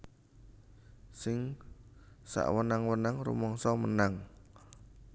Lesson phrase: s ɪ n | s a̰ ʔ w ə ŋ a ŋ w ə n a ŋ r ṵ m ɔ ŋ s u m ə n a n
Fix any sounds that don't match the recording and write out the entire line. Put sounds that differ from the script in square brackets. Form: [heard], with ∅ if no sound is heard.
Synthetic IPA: s ɪ [ŋ] | s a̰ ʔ w ə [n] a ŋ w ə n a ŋ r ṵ m ɔ ŋ s [ɔ] m ə n a [ŋ]